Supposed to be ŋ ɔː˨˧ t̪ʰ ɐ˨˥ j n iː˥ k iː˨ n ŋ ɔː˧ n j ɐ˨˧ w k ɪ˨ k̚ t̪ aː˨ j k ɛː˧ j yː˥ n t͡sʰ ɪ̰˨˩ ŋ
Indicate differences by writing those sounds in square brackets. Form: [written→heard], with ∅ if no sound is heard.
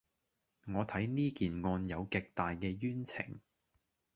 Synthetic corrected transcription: ŋ ɔː˨˧ t̪ʰ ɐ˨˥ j n iː˥ k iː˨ n ŋ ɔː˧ n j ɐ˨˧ w k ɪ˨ k̚ t̪ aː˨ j k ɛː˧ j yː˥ n t͡sʰ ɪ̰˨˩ ŋ